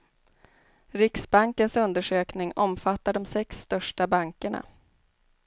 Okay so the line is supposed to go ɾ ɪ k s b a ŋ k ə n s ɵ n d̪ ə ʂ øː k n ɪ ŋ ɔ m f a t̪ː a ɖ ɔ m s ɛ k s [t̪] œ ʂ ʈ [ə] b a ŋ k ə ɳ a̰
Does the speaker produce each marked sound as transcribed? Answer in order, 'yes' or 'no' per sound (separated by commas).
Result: yes, no